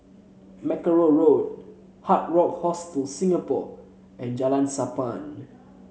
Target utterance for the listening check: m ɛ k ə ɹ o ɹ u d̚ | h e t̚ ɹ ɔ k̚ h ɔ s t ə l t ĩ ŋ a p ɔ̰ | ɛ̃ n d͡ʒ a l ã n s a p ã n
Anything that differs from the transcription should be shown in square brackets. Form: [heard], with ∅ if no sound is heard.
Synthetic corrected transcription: m ɛ k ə ɹ o ɹ [o] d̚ | h [a] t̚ ɹ ɔ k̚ h ɔ s t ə l [s] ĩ ŋ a p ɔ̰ | ɛ̃ n d͡ʒ a l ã n s a p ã n